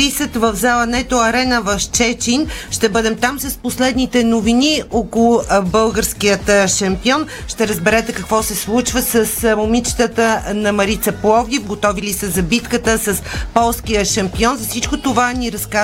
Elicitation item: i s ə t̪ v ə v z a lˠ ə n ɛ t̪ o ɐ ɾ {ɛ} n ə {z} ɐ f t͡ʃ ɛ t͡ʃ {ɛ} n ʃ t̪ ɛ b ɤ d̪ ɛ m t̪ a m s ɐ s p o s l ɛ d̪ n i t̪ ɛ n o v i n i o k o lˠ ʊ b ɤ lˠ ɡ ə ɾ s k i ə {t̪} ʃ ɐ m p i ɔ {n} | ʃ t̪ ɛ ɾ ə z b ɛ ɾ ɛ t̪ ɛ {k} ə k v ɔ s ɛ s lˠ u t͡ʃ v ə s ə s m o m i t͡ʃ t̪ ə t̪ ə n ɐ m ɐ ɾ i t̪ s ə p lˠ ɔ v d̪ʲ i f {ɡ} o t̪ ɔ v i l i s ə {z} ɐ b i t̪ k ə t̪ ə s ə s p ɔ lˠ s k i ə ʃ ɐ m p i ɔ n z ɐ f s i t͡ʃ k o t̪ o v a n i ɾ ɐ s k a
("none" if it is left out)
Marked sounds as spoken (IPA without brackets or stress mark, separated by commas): ɛ, v, i, t̪, n, k, ɡ, z